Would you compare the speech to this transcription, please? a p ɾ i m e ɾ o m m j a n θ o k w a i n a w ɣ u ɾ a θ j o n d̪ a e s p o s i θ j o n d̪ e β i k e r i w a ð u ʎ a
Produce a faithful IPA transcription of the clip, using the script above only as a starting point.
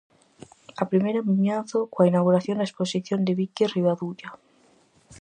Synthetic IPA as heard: a p ɾ i m e ɾ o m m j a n θ o k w a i n a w ɣ u ɾ a θ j o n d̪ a e s p o s i θ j o n d̪ e β i k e r i β a ð u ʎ a